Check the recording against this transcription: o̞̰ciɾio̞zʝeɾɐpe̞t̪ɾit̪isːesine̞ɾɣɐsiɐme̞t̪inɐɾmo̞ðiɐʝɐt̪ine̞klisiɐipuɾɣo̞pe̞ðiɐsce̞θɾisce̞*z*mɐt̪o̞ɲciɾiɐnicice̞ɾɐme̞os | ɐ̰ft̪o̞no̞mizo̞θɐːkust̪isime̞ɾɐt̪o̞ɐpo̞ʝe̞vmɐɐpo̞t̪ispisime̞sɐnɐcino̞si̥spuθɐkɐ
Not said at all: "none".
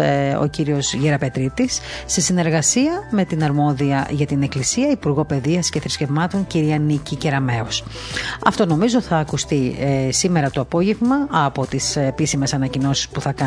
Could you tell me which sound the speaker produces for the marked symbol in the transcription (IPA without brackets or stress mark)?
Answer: v